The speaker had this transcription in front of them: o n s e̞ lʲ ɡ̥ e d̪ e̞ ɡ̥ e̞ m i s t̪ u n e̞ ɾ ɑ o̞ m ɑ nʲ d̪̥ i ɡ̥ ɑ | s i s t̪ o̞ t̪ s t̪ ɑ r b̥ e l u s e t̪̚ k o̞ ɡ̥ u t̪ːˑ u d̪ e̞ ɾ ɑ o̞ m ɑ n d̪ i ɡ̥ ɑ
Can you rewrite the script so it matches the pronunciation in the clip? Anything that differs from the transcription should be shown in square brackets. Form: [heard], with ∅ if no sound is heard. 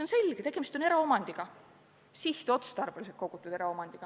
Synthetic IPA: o n s e̞ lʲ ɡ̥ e [t̪] e̞ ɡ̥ e̞ m i s t̪ [o] n e̞ ɾ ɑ o̞ m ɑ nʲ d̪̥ i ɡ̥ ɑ | s i [h] t̪ o̞ t̪ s t̪ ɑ r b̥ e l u s e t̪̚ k o̞ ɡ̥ u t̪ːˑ u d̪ e̞ ɾ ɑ o̞ m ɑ n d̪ i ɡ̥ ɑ